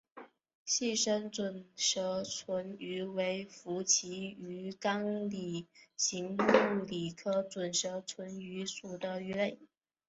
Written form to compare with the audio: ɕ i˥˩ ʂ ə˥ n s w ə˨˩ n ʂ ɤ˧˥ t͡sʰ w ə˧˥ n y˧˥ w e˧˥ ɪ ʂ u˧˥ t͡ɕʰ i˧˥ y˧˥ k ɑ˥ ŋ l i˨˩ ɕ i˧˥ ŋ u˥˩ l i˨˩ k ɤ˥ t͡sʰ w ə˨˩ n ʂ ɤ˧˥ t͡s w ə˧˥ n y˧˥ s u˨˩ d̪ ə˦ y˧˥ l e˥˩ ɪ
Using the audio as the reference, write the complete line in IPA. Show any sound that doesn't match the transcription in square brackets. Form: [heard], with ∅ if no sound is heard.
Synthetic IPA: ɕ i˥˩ ʂ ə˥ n [t͡s] w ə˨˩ n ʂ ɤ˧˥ t͡sʰ w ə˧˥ n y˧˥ w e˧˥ ɪ [f] u˧˥ t͡ɕʰ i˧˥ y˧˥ k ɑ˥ ŋ l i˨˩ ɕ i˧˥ ŋ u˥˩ l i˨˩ [kʰ] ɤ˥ [t͡s] w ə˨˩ n ʂ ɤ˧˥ [t͡sʰ] w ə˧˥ n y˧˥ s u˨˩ d̪ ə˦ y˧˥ l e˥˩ ɪ